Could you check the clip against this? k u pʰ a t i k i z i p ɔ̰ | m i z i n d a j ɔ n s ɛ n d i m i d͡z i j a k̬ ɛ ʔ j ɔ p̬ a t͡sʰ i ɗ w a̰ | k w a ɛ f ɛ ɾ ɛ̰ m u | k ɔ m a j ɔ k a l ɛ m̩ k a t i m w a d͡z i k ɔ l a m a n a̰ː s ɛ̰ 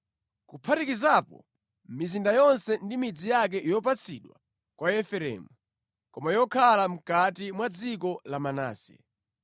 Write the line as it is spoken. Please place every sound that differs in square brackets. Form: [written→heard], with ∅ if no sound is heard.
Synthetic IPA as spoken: k u pʰ a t i k i z [i→a] p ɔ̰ | m i z i n d a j ɔ n s ɛ n d i m i d͡z i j a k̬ ɛ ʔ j ɔ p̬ a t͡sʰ i ɗ w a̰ | k w a ɛ f ɛ ɾ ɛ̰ m u | k ɔ m a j ɔ [k→kʰ] a l [ɛ→a] m̩ k a t i m w a d͡z i k ɔ l a m a n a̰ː s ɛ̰